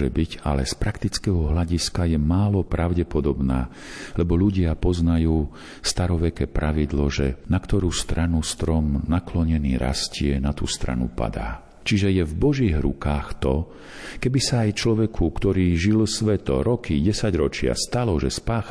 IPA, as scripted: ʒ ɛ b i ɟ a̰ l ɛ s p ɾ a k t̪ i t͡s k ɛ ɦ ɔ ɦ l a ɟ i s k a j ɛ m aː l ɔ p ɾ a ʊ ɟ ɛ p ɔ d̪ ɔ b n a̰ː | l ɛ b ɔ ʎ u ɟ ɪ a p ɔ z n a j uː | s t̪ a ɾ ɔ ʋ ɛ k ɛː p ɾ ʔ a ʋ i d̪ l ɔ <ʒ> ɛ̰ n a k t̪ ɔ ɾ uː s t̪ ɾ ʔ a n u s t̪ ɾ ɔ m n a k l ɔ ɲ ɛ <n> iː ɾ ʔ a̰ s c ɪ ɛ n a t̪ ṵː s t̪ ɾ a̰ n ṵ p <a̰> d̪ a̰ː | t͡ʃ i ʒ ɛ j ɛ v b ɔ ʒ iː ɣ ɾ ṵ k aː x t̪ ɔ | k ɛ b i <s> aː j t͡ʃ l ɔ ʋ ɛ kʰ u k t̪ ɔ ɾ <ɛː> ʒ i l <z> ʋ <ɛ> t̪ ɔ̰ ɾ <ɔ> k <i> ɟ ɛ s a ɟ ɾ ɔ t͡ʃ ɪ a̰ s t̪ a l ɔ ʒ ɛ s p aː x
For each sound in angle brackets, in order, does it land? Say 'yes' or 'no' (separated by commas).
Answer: yes, yes, yes, yes, no, no, yes, yes, yes